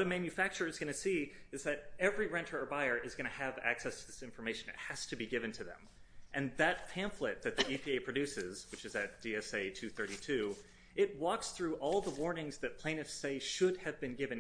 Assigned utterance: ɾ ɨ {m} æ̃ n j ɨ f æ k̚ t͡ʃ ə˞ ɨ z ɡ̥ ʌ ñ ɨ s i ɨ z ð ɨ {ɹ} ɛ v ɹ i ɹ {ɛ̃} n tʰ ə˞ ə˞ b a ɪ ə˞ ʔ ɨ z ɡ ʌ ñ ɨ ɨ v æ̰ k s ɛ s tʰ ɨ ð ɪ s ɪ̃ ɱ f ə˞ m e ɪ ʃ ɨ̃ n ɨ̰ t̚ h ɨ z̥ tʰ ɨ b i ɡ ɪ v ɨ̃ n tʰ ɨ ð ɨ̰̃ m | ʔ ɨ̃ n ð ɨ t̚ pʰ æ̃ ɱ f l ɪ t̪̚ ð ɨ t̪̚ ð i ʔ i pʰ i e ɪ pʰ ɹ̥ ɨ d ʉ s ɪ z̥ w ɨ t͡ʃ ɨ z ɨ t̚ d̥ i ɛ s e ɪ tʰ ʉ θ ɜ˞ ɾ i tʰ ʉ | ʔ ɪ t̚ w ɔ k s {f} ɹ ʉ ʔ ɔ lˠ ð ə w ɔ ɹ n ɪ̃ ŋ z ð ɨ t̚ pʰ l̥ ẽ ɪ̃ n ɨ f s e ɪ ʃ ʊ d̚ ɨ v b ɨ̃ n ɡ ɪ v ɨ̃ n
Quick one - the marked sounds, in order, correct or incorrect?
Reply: correct, incorrect, correct, incorrect

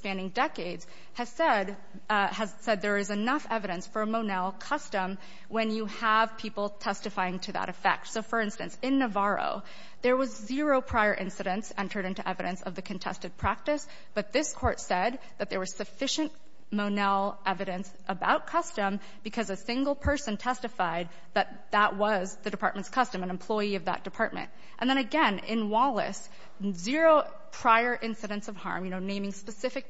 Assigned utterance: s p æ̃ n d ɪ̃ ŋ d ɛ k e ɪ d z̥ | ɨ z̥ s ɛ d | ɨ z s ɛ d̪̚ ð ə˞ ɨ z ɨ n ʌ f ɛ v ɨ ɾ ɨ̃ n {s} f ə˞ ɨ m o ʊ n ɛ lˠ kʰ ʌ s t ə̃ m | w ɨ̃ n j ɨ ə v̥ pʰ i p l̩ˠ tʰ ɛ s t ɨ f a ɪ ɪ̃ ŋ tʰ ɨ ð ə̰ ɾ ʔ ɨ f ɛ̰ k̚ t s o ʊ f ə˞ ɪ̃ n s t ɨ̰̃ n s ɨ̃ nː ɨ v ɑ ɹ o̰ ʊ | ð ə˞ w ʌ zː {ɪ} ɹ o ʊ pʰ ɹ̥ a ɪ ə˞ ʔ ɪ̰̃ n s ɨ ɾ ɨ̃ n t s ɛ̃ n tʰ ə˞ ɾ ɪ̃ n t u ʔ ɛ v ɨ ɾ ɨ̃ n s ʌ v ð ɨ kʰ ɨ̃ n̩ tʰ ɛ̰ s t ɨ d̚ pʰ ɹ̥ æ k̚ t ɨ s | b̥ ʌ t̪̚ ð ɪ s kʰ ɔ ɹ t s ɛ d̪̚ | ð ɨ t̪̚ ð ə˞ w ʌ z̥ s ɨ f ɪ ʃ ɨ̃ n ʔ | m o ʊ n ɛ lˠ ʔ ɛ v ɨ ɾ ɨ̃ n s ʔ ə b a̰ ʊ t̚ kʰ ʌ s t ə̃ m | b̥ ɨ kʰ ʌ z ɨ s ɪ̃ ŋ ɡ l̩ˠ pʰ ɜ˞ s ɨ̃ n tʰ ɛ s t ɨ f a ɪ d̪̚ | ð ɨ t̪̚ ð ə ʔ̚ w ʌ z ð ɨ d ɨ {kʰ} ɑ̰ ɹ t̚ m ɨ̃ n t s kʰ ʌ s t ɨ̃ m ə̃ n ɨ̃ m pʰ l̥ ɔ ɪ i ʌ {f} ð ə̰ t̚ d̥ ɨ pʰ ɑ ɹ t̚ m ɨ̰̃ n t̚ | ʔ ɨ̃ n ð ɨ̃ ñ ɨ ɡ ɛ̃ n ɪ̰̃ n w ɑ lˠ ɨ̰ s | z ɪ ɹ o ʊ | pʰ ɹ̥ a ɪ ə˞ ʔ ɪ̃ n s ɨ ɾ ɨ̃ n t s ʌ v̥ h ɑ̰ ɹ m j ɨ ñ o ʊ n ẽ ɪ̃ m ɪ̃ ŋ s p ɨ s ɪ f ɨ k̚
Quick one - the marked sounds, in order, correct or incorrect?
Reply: correct, correct, incorrect, incorrect

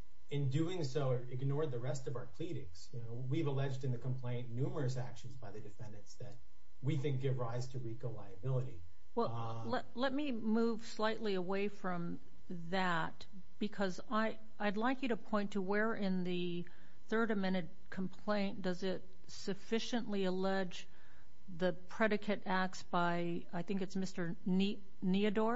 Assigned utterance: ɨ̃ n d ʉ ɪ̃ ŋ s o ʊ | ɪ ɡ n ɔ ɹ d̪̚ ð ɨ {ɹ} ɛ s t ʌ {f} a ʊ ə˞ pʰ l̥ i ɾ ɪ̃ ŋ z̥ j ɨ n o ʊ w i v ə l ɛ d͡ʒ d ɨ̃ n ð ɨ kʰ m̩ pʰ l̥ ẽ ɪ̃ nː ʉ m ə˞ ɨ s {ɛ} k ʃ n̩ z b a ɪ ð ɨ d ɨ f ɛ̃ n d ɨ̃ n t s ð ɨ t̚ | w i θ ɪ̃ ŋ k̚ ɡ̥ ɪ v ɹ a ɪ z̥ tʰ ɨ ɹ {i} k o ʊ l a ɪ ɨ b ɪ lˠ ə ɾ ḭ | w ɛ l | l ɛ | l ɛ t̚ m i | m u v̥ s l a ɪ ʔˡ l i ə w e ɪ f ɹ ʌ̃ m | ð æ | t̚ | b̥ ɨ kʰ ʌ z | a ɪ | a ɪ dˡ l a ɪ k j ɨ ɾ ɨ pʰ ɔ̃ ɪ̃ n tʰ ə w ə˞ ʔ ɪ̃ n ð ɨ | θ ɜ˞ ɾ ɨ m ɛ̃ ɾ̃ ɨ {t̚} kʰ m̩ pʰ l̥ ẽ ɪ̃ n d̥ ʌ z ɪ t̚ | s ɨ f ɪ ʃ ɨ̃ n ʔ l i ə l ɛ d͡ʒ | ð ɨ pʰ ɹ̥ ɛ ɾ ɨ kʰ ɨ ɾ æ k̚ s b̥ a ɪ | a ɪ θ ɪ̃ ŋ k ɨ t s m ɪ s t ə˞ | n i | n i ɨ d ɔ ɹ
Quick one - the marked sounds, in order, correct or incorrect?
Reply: correct, incorrect, incorrect, correct, incorrect

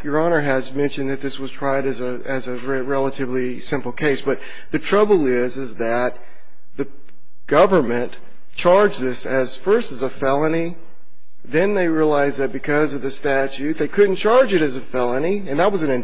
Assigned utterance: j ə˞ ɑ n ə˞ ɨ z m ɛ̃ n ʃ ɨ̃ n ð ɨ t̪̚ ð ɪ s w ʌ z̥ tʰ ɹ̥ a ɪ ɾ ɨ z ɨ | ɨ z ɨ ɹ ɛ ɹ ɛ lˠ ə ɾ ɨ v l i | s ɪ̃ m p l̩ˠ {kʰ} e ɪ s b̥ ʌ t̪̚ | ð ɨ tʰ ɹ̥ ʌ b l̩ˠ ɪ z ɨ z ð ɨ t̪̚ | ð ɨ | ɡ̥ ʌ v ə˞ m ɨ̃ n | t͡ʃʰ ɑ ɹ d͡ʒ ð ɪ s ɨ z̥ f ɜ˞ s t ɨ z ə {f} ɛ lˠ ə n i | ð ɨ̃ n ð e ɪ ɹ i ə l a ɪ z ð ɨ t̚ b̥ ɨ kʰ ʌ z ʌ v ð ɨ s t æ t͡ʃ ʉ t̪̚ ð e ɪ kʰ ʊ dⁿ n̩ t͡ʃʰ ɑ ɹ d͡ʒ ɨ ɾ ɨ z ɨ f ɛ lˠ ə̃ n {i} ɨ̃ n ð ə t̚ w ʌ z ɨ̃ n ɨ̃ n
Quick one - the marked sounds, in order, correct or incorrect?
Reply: correct, correct, correct

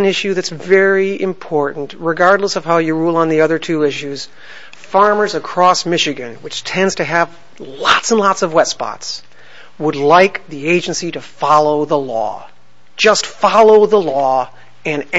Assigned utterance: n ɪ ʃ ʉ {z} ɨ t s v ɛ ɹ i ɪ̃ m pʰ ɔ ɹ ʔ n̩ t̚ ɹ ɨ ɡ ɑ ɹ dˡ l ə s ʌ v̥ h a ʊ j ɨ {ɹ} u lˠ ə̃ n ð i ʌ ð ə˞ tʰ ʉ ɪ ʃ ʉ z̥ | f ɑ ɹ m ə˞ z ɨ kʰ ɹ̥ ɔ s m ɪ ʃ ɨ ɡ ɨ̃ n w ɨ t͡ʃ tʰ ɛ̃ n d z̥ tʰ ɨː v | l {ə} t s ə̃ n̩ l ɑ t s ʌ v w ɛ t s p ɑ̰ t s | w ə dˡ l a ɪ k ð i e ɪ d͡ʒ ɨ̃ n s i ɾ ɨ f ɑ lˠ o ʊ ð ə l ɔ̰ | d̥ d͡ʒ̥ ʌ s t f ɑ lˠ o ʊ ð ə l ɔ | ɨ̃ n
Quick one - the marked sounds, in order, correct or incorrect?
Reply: incorrect, correct, incorrect

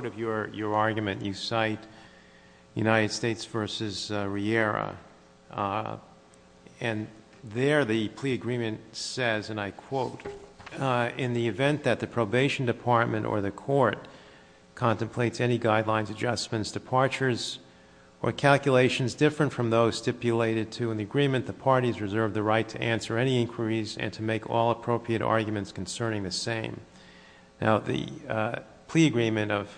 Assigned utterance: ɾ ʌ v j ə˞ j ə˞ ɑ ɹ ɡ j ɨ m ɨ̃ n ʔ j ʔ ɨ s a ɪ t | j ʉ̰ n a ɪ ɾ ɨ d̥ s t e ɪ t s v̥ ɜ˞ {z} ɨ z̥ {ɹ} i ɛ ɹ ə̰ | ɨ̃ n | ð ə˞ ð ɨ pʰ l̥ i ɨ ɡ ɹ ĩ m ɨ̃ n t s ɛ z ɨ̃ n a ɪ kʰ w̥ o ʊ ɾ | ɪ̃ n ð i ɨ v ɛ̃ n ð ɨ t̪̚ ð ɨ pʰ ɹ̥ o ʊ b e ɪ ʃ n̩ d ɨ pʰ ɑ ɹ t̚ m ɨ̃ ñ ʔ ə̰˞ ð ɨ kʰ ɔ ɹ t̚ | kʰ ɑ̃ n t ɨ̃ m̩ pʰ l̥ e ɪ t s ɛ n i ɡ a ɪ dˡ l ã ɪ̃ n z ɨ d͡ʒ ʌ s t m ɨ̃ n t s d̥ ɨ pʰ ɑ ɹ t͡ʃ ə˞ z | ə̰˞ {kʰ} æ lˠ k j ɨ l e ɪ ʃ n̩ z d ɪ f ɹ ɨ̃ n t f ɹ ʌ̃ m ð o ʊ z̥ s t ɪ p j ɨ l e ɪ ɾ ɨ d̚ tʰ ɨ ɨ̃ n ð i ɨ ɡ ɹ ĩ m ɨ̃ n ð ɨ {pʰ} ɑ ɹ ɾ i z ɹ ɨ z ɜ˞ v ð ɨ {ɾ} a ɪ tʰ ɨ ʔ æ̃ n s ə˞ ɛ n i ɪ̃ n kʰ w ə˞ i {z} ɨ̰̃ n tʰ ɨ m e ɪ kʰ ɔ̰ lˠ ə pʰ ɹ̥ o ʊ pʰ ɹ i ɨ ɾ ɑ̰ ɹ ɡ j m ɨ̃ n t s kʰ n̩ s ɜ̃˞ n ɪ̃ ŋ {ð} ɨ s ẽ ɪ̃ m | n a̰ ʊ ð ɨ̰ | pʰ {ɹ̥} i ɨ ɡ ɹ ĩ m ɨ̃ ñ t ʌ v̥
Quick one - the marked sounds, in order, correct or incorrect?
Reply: incorrect, correct, correct, correct, incorrect, correct, correct, incorrect

